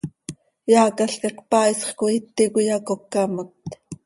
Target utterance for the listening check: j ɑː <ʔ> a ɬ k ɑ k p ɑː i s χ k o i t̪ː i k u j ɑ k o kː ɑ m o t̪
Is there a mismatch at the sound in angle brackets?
yes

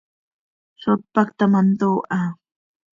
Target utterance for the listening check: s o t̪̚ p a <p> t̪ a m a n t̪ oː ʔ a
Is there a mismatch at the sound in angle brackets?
yes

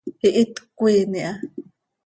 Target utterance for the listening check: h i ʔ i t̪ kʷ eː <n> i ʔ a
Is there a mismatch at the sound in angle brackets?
no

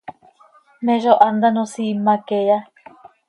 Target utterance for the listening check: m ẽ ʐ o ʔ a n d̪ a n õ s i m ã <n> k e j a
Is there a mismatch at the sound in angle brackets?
yes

